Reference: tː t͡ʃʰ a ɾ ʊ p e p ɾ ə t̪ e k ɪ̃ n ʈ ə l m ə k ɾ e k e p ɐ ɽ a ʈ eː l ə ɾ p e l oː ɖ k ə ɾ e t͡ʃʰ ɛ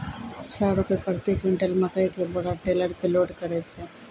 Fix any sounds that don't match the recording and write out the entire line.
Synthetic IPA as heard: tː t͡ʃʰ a ɾ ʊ p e p ɾ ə t̪ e k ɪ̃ ɳ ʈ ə l m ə k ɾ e k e b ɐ ɽ a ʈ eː l ə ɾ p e l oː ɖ k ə ɾ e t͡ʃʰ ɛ